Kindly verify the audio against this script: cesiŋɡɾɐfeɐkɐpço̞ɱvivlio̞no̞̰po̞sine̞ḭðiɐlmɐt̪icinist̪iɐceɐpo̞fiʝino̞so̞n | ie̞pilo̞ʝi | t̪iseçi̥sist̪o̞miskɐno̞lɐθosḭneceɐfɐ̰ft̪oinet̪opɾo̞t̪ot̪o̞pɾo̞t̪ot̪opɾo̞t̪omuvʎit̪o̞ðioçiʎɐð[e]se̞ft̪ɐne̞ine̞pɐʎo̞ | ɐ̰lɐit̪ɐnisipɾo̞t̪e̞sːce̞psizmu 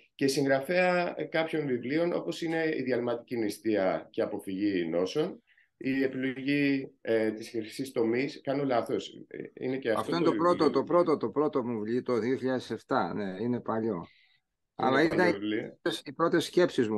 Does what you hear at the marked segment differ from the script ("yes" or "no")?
no